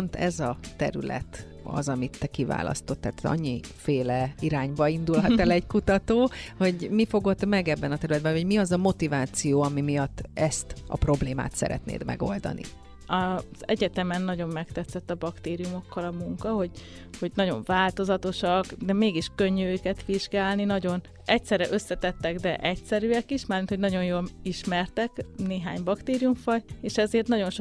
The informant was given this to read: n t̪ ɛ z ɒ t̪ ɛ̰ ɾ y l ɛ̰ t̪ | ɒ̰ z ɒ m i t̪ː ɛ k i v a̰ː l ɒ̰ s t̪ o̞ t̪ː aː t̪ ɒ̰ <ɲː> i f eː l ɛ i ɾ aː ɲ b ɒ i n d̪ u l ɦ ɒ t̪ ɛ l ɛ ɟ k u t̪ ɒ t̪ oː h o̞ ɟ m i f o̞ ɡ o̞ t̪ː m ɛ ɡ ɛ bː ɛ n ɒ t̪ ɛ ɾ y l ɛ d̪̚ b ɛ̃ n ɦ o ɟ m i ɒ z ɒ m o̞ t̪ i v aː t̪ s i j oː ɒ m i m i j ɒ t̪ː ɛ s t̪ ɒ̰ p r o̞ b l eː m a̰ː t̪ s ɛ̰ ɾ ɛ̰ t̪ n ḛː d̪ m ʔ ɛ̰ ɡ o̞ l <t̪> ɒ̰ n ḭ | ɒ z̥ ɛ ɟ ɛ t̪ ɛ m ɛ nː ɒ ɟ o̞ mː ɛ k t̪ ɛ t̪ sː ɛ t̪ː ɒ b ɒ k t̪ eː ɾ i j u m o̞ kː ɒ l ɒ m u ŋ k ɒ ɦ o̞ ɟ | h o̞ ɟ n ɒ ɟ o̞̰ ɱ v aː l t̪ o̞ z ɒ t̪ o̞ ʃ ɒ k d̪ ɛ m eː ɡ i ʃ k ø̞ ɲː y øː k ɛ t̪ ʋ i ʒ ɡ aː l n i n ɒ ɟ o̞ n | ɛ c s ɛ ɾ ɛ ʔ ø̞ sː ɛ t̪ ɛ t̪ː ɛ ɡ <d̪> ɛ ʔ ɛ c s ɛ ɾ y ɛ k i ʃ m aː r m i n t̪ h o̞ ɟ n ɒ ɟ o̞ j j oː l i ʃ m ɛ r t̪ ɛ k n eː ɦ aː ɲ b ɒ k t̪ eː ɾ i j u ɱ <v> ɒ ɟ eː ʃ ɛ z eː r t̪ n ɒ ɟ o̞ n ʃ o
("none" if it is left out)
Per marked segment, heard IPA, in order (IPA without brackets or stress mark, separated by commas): ɲː, d̪, d̪, f